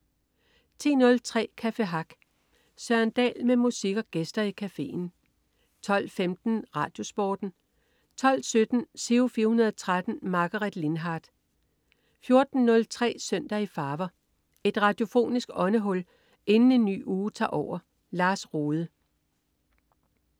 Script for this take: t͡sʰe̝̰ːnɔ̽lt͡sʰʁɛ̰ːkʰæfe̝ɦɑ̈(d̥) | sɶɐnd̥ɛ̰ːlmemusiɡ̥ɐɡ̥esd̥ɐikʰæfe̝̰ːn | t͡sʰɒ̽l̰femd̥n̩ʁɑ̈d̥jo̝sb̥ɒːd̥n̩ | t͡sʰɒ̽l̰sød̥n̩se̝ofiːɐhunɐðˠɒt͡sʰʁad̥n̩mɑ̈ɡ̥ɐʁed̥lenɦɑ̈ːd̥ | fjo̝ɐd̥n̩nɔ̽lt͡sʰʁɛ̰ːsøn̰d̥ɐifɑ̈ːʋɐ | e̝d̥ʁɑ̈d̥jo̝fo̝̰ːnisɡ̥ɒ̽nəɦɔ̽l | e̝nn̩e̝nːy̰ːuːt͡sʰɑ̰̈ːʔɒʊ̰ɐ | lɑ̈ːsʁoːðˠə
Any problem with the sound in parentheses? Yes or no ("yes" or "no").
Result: yes